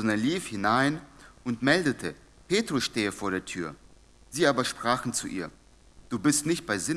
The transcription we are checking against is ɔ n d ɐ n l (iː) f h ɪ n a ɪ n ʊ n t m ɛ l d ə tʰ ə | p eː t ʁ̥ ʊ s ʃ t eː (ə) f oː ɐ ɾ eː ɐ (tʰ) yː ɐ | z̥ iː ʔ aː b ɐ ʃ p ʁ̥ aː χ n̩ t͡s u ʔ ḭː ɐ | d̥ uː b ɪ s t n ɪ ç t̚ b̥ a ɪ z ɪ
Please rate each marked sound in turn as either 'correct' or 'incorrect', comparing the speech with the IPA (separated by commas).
correct, correct, correct